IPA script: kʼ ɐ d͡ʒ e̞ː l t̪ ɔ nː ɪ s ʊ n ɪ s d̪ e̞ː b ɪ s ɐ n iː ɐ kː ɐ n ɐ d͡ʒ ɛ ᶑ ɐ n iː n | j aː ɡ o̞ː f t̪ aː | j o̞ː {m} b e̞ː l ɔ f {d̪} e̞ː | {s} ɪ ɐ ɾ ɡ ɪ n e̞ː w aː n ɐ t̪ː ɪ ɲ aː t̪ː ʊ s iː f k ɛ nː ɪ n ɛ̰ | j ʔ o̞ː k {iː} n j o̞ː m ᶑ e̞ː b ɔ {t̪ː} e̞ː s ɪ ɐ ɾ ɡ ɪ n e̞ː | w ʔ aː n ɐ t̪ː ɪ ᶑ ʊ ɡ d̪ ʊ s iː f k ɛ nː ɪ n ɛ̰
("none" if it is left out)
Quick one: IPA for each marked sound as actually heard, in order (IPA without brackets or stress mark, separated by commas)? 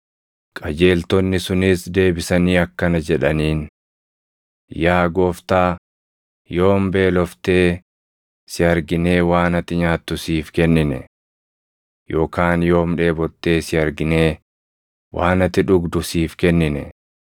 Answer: m, t̪, s, aː, t̪ː